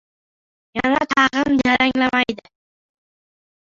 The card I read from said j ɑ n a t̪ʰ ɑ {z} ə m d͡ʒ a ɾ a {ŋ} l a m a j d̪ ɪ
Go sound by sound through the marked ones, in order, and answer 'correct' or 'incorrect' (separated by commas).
incorrect, correct